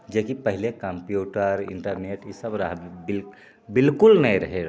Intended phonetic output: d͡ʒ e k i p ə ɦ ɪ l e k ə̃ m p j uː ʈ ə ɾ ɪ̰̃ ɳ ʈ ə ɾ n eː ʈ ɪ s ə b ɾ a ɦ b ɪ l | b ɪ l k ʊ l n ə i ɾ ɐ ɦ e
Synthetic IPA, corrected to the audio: d͡ʒ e k i p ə ɦ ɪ l e k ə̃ m p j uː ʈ ə ɾ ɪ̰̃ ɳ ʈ ə ɾ n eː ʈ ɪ s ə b ɾ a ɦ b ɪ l | b ɪ l k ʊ l n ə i ɾ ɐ ɦ e